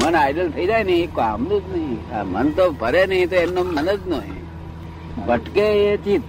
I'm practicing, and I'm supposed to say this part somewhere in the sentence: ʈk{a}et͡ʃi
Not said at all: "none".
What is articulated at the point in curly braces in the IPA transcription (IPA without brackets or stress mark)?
e